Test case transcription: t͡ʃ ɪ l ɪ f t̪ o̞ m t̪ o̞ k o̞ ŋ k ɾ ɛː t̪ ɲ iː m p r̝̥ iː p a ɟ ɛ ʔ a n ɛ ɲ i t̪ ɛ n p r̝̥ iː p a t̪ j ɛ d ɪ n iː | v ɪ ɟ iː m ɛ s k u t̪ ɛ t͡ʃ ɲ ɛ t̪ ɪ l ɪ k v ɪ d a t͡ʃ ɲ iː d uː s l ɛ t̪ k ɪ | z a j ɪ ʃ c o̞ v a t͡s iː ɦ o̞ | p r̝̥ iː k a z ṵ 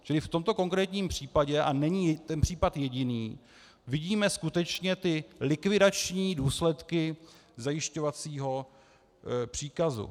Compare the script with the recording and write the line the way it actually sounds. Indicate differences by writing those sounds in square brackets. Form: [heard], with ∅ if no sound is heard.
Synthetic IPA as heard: t͡ʃ ɪ l ɪ f t̪ o̞ m t̪ o̞ k o̞ ŋ k ɾ ɛː t̪ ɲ iː m p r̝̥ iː p a ɟ ɛ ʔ a n ɛ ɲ i t̪ ɛ n p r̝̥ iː p a t̪ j ɛ [ɟ] ɪ n iː | v ɪ ɟ iː m ɛ s k u t̪ ɛ t͡ʃ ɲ ɛ t̪ ɪ l ɪ k v ɪ d a t͡ʃ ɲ iː d uː s l ɛ t̪ k ɪ | z a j ɪ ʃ c o̞ v a t͡s iː ɦ o̞ | p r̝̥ iː k a z ṵ

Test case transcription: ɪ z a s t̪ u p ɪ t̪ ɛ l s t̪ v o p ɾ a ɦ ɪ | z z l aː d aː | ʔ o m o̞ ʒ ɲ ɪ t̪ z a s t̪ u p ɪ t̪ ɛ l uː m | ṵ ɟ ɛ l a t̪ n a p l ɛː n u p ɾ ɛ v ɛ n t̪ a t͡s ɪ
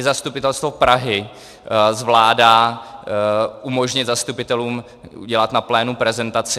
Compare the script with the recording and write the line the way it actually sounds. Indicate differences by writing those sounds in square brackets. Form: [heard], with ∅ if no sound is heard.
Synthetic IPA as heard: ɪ z a s t̪ u p ɪ t̪ ɛ l s t̪ v o p ɾ a ɦ ɪ | z [v] l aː d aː | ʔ [u] m o̞ ʒ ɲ ɪ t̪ z a s t̪ u p ɪ t̪ ɛ l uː m | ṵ ɟ ɛ l a t̪ n a p l ɛː n u p ɾ ɛ [z] ɛ n t̪ a t͡s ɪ

